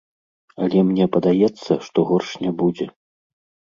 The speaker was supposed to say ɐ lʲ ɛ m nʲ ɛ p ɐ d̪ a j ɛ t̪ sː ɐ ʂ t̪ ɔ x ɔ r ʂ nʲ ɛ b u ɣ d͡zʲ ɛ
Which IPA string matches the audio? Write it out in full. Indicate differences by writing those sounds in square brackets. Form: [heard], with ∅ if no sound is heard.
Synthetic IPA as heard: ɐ lʲ ɛ m nʲ ɛ p ɐ d̪ a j ɛ t̪ sː ɐ ʂ t̪ ɔ [ɣ] ɔ r ʂ nʲ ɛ b u [∅] d͡zʲ ɛ

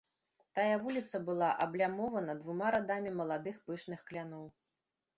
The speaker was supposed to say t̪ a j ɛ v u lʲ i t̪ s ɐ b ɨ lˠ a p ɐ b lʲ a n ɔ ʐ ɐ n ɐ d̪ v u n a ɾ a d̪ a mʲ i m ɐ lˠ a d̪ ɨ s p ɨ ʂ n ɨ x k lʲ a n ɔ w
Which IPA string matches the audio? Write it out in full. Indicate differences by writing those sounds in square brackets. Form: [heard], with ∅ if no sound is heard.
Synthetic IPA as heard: t̪ a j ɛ v u lʲ i t̪ s ɐ b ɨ lˠ a [ʔ] ɐ b lʲ a [m] ɔ [v] ɐ n ɐ d̪ v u [m] a ɾ a d̪ a mʲ i m ɐ lˠ a d̪ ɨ [x] p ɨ ʂ n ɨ x k lʲ a n ɔ w

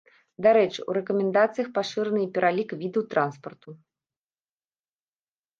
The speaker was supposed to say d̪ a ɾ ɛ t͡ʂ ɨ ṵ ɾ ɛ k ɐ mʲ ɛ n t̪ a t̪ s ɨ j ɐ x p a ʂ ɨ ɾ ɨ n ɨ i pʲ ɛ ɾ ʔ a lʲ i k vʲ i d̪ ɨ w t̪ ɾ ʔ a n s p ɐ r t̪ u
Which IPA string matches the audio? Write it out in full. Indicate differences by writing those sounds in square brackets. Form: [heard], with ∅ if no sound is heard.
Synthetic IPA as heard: d̪ a ɾ ɛ t͡ʂ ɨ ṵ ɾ ɛ k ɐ mʲ ɛ n [d̪] a t̪ s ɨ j ɐ x p a ʂ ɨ ɾ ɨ n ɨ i pʲ ɛ ɾ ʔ a lʲ i k vʲ i d̪ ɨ w t̪ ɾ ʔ a n s p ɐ r t̪ u

